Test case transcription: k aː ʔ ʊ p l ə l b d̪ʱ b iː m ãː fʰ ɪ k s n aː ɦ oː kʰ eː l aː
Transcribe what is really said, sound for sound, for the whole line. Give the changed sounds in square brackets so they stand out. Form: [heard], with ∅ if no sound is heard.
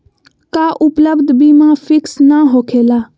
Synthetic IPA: k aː ʔ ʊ p l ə [∅] b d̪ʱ b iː m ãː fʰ ɪ k s n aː ɦ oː kʰ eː l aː